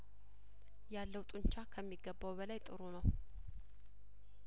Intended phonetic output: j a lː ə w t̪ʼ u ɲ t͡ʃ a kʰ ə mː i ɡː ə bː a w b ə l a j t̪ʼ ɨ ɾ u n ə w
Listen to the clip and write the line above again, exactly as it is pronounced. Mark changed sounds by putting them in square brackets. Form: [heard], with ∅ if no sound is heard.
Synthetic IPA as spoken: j a lː ə w t̪ʼ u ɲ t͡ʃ a kʰ ə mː i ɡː ə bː a w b ə l a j t̪ʼ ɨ ɾ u n ə w